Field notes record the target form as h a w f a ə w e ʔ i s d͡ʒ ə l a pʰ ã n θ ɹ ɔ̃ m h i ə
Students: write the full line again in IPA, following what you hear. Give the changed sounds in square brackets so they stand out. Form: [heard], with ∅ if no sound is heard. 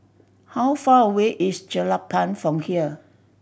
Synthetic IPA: h a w f a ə w e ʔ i s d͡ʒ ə l a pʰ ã n [f] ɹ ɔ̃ m h i ə